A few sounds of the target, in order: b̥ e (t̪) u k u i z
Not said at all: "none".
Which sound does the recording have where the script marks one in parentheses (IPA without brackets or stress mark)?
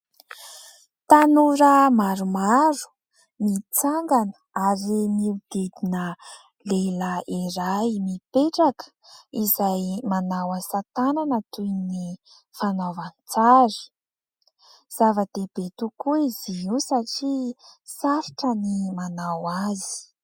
t̪